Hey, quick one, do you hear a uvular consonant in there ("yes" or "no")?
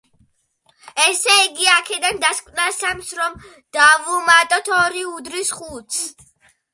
yes